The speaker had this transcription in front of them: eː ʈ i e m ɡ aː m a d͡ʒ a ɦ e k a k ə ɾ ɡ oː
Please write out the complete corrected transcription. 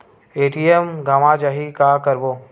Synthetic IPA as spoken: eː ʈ i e m ɡ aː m a d͡ʒ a ɦ i k a k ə ɾ b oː

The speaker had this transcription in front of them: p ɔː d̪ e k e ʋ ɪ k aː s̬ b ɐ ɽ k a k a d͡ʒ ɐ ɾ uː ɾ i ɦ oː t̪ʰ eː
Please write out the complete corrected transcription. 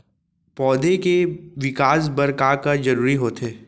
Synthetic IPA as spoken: p ɔː d̪ e k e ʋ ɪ k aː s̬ b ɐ ɾ k a k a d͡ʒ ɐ ɾ uː ɾ i ɦ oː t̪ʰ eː

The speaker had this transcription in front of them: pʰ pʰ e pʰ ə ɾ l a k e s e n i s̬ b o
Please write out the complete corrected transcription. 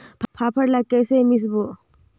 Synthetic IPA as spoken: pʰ pʰ a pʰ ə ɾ l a k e s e m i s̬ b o

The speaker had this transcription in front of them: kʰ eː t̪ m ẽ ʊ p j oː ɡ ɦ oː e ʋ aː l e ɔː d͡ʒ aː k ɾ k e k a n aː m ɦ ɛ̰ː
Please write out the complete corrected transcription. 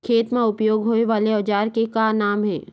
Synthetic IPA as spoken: kʰ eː t̪ m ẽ ʊ p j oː ɡ ɦ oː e ʋ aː l e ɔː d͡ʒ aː ɾ k e k a n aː m ɦ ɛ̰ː

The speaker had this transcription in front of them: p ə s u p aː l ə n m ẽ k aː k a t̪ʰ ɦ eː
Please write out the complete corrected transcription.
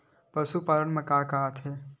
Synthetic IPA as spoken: p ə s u p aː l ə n m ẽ k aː k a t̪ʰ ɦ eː

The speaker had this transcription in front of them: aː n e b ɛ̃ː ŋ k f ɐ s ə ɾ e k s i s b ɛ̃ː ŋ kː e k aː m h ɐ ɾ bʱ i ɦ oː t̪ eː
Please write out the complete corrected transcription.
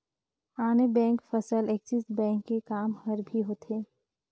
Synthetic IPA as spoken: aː n e b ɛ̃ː ŋ k f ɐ s ə l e k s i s b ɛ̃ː ŋ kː e k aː m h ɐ ɾ bʱ i ɦ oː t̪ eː

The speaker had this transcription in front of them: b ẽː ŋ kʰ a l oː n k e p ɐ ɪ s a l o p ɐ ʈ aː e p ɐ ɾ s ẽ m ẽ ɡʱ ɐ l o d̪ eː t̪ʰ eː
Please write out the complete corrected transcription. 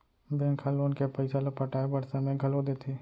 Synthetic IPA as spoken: b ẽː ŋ kʰ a l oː n k e p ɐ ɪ s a l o p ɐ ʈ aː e b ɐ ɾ s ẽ m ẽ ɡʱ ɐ l o d̪ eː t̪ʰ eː

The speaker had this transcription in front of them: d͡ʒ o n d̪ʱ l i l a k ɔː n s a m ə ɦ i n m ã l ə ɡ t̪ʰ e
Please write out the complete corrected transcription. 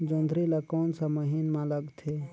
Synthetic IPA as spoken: d͡ʒ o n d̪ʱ ɾ i l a k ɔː n s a m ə ɦ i n m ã l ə ɡ t̪ʰ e

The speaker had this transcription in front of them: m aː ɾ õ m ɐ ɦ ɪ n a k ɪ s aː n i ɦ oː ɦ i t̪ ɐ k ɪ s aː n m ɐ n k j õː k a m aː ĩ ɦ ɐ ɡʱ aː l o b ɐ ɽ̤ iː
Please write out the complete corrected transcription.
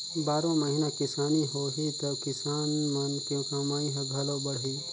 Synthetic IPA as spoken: b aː ɾ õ m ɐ ɦ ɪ n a k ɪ s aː n i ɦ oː ɦ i t̪ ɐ k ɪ s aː n m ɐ n k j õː k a m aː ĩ ɦ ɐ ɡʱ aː l o b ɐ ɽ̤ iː

